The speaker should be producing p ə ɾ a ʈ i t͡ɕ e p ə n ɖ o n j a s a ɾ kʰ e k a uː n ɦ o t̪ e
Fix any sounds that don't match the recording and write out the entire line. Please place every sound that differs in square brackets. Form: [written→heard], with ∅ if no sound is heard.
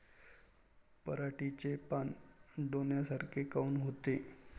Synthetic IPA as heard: p ə ɾ a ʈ i t͡ɕ e p [ə→a] n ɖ o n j a s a ɾ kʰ e k a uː n ɦ o t̪ e